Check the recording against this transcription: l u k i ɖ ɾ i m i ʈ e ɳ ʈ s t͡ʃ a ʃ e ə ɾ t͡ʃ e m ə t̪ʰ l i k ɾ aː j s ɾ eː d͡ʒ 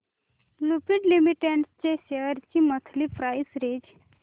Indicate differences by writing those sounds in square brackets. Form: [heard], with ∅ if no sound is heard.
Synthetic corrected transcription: l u [p] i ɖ [l] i m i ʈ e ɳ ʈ s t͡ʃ [e] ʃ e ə ɾ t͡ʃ [i] m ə t̪ʰ l i [p] ɾ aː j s ɾ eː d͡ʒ